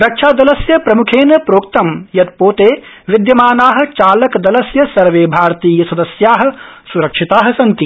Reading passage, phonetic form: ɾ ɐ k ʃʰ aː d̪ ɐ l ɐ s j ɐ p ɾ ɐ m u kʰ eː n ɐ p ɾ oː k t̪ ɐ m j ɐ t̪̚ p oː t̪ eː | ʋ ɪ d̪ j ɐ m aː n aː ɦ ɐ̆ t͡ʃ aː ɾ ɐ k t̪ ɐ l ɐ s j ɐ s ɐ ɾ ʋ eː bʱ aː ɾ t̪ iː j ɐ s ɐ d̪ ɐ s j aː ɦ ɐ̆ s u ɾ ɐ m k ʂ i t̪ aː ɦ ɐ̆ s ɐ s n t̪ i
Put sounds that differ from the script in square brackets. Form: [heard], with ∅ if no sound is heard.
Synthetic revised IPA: ɾ ɐ k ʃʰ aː d̪ ɐ l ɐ s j ɐ p ɾ ɐ m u kʰ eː n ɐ p ɾ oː k t̪ ɐ m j ɐ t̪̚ p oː t̪ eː | ʋ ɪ d̪ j ɐ m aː n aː ɦ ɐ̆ t͡ʃ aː [l] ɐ k [d̪] ɐ l ɐ s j ɐ s ɐ ɾ ʋ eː bʱ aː ɾ t̪ iː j ɐ s ɐ d̪ ɐ s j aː ɦ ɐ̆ s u ɾ ɐ [∅] k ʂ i t̪ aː ɦ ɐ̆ s ɐ [∅] n t̪ i